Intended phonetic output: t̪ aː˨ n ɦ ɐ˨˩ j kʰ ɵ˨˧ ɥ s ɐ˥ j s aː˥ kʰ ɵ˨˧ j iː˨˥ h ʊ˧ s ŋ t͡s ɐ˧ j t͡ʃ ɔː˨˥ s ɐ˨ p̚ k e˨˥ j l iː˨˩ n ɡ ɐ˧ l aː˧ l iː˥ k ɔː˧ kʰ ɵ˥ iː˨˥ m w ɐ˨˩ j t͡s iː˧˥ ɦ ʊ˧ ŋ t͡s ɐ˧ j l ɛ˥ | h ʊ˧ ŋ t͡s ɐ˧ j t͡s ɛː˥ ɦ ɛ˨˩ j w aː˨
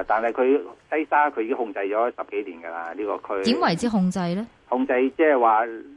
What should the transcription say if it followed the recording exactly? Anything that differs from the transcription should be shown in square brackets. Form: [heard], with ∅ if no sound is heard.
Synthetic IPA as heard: t̪ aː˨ n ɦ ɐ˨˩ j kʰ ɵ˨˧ ɥ s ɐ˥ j s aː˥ kʰ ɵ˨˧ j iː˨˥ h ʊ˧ [∅] ŋ t͡s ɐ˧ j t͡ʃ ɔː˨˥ s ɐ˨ p̚ k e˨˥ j l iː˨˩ n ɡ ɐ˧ l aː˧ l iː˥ k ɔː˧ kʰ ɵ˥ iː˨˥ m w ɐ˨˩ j t͡s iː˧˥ ɦ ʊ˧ ŋ t͡s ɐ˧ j l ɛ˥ | h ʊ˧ ŋ t͡s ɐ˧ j t͡s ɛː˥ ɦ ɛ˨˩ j w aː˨